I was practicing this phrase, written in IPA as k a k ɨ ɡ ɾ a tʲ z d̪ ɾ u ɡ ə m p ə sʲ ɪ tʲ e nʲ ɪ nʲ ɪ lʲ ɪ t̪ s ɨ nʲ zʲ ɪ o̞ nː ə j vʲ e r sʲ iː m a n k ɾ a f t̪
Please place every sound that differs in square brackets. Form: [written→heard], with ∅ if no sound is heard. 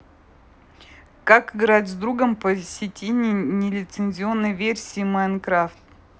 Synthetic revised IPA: k a k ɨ ɡ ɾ a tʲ z d̪ ɾ u ɡ ə m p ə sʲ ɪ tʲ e nʲ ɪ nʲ ɪ lʲ ɪ t̪ s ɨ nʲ zʲ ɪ o̞ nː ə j vʲ e r sʲ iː m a n k ɾ a f t̪